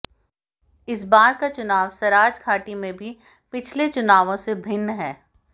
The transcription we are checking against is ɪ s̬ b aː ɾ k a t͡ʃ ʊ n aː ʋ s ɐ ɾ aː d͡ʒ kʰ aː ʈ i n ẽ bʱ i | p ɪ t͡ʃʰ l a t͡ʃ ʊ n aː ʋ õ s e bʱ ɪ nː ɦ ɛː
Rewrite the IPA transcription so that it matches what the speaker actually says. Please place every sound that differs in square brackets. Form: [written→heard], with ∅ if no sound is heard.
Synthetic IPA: ɪ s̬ b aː ɾ k a t͡ʃ ʊ n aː ʋ s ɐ ɾ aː d͡ʒ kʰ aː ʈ i [n→m] ẽ bʱ i | p ɪ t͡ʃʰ l [a→e] t͡ʃ ʊ n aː ʋ õ s e bʱ ɪ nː ɦ ɛː